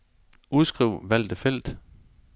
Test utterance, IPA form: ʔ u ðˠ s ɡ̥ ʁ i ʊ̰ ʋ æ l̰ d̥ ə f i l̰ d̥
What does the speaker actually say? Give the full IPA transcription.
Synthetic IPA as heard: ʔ u ðˠ s ɡ̥ ʁ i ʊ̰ ʋ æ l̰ d̥ ə f e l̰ d̥